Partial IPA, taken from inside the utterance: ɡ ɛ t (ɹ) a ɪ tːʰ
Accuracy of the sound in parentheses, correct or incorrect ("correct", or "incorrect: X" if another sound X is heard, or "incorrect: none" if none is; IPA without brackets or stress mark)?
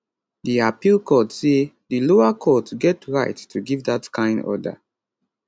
correct